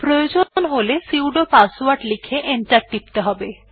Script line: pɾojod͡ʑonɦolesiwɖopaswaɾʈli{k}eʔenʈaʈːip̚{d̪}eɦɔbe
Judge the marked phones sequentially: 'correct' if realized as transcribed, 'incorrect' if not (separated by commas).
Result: incorrect, incorrect